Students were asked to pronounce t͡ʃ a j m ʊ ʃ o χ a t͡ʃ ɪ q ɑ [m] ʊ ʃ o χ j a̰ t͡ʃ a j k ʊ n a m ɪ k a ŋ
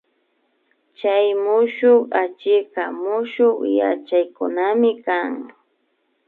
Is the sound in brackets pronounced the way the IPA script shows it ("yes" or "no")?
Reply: yes